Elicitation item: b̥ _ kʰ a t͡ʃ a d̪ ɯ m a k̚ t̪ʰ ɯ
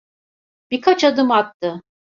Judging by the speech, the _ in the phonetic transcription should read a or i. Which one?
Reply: i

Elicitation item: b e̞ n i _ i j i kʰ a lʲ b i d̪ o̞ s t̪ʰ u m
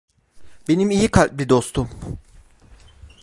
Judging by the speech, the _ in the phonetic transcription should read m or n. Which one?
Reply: m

